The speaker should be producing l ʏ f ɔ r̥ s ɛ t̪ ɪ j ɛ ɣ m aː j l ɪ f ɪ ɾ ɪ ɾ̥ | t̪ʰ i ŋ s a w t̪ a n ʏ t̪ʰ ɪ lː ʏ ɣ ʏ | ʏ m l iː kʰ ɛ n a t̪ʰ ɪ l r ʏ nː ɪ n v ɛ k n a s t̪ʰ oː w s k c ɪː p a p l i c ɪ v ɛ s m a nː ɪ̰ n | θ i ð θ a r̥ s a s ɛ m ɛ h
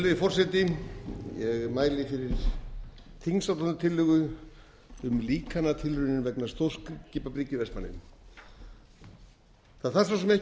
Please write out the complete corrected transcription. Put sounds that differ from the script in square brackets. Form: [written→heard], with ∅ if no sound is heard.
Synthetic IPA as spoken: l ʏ f ɔ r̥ s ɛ t̪ ɪ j ɛ ɣ m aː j l ɪ f ɪ ɾ ɪ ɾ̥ | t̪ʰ i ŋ s a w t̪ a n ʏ t̪ʰ ɪ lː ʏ ɣ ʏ | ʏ m l iː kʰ [ɛ→a] n a t̪ʰ ɪ l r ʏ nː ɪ n v ɛ k n a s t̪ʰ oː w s k c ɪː p a p [l→ɾ] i c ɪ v ɛ s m a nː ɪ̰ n | θ [i→a] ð θ a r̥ s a s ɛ m ɛ h